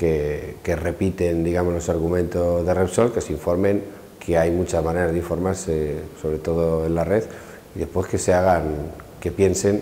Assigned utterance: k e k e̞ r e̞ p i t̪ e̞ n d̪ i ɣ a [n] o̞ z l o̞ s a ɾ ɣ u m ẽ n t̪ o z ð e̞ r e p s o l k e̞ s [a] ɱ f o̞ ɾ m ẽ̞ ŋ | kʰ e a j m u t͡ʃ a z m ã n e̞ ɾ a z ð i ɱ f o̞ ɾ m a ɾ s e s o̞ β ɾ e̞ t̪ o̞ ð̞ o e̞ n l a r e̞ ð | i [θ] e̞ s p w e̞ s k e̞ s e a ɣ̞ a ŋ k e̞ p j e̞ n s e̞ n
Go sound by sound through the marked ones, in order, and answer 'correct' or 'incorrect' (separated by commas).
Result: incorrect, incorrect, incorrect